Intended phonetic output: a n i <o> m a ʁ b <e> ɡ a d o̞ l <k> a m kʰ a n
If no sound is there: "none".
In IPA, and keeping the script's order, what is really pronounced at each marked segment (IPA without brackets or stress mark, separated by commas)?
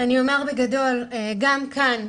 o, e, ɡ